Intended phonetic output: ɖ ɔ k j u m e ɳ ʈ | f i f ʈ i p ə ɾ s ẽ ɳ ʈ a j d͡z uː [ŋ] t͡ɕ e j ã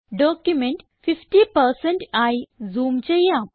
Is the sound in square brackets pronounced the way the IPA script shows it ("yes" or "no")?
no